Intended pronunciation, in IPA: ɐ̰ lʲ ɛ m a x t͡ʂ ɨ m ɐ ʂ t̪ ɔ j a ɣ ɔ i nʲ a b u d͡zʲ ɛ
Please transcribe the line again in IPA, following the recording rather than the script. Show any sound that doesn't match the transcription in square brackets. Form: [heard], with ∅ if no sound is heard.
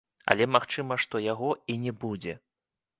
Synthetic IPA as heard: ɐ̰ lʲ ɛ m a x t͡ʂ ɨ m ɐ ʂ t̪ ɔ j a ɣ ɔ i nʲ [ɛ] b u d͡zʲ ɛ